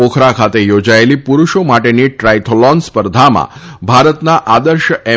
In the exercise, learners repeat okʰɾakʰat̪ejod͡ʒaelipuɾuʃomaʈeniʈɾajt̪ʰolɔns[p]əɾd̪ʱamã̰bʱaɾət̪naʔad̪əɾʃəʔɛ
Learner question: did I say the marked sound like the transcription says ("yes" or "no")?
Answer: yes